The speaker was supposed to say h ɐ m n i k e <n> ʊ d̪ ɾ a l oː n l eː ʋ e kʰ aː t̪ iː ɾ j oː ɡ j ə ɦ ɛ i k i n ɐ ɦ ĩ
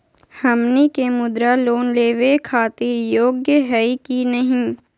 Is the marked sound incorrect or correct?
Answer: incorrect